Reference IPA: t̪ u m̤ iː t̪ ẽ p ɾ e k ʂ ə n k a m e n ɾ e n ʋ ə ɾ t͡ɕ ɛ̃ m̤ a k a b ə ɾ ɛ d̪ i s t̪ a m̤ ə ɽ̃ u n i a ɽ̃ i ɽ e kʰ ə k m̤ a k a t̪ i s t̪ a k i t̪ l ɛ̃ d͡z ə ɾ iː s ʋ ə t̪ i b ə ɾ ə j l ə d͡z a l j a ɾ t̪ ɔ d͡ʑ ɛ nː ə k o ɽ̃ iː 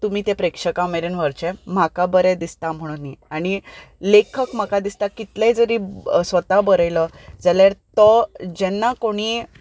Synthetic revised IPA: t̪ u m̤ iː t̪ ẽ p ɾ e k ʂ ə k a m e ɾ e n ʋ ə ɾ t͡ɕ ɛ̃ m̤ a k a b ə ɾ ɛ d̪ i s t̪ a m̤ ə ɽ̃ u n i a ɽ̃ i l e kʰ ə k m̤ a k a d̪ i s t̪ a k i t̪ l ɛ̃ d͡z ə ɾ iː s ʋ ə t̪ a b ə ɾ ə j l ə d͡z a l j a ɾ t̪ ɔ d͡ʑ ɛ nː a k o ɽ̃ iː